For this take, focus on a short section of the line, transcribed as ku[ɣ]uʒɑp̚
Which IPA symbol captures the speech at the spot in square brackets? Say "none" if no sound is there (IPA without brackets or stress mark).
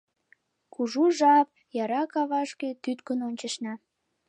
ʒ